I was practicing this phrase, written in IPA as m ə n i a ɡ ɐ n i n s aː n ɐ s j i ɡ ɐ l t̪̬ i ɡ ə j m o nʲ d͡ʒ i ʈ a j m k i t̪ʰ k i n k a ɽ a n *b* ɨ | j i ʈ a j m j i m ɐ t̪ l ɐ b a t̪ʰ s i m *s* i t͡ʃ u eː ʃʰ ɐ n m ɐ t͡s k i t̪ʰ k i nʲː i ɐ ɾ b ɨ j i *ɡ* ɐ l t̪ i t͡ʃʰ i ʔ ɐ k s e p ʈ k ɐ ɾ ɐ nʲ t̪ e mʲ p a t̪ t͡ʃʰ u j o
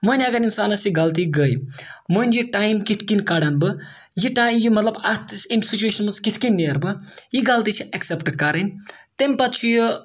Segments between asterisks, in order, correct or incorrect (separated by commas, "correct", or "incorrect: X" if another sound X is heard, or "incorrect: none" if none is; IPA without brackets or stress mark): correct, correct, correct